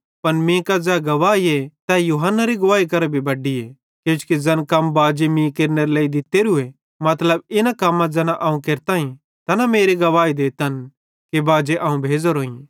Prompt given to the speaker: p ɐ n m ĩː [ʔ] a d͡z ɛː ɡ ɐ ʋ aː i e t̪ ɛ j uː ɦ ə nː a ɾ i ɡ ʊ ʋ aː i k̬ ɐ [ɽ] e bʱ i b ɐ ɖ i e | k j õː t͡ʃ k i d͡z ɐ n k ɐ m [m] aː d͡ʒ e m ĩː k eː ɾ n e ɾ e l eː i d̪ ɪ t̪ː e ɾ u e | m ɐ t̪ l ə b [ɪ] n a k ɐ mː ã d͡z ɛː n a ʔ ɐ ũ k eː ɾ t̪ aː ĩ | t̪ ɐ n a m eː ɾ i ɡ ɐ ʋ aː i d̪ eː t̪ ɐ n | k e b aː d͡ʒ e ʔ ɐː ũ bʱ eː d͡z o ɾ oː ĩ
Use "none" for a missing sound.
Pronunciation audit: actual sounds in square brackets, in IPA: k, ɾ, b, ɪ

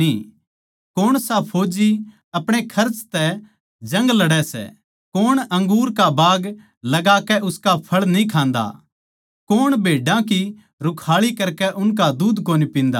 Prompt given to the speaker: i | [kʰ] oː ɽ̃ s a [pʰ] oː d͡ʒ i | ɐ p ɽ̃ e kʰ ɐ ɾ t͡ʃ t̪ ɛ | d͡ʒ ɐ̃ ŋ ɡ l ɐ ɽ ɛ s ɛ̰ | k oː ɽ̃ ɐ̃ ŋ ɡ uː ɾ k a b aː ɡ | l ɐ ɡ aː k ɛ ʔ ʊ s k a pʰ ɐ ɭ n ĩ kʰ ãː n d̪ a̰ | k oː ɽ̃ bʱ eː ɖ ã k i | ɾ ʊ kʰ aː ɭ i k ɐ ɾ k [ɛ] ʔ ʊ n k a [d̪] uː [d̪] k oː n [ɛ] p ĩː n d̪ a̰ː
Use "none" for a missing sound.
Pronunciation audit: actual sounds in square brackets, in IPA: k, pʰ, ɛ, d̪, d̪, i

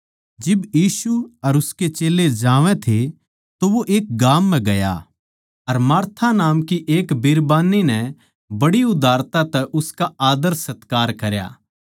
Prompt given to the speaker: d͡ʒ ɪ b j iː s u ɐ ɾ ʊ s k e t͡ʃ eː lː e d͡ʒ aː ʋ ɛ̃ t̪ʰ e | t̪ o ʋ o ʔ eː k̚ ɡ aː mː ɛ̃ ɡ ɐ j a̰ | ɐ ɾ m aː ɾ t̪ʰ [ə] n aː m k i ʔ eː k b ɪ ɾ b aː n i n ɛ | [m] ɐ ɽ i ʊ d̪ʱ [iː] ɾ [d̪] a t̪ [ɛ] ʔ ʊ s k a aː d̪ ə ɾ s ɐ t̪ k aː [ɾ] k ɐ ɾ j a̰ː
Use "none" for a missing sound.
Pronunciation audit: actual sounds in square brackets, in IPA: a, b, aː, t̪, ɛ, ɾ

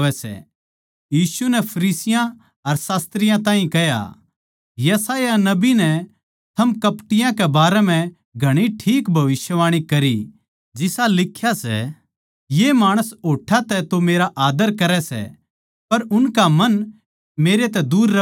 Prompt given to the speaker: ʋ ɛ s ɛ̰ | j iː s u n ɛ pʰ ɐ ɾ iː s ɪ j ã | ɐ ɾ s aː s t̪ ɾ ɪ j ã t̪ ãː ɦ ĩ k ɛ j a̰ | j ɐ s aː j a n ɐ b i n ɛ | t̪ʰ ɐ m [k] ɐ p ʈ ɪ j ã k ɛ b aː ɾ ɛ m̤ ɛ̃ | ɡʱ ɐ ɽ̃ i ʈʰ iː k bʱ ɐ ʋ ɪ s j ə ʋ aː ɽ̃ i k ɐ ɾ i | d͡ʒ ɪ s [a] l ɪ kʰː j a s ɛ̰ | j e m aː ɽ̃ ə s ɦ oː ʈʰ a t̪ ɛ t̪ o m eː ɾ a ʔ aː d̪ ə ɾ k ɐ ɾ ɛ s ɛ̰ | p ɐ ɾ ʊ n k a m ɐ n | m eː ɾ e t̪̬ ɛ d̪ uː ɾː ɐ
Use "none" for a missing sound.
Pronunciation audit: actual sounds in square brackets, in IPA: k, a

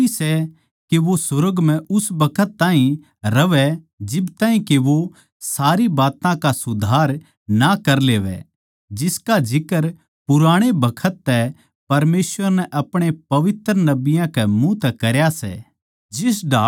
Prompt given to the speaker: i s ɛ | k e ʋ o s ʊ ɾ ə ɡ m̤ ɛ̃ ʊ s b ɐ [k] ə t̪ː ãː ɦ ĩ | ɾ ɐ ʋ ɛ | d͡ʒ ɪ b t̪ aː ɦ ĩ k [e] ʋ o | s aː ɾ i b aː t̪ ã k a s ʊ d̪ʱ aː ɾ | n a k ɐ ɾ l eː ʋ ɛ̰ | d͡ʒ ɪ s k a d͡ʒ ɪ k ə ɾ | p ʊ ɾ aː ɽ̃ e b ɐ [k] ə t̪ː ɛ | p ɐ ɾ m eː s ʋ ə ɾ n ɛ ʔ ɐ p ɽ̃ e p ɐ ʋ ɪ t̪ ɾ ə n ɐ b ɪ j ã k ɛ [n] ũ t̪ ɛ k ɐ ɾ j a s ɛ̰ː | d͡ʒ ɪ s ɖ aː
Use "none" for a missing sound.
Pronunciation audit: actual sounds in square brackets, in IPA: kʰ, e, kʰ, m

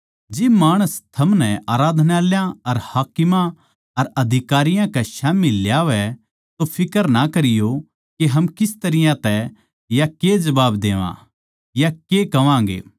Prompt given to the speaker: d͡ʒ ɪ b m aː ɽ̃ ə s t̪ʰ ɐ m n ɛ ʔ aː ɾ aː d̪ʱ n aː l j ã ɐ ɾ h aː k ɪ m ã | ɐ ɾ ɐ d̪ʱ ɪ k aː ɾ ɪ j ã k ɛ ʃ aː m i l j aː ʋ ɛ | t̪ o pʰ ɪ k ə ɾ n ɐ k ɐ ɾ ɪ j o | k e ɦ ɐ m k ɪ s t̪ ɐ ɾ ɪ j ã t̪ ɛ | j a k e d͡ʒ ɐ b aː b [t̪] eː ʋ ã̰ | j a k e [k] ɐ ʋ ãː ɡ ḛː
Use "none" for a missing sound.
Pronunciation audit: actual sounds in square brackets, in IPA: d̪, k

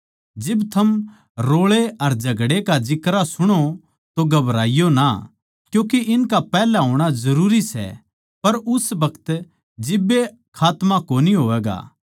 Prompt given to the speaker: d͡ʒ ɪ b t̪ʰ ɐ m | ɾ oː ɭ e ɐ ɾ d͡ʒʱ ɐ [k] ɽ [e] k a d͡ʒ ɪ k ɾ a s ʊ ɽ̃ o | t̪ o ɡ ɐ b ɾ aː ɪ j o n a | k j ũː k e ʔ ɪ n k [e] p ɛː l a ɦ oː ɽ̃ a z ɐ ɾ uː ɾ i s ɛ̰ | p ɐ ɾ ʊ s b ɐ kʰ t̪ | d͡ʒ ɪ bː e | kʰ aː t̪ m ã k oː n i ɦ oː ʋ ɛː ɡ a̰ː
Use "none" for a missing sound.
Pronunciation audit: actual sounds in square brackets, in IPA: ɡ, e, a

